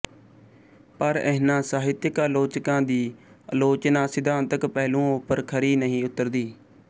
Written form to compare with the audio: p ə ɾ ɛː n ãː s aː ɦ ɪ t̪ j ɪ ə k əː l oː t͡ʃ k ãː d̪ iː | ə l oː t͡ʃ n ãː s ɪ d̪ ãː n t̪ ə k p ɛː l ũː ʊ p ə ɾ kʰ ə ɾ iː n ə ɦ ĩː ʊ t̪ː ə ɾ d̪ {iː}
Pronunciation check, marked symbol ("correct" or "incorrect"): correct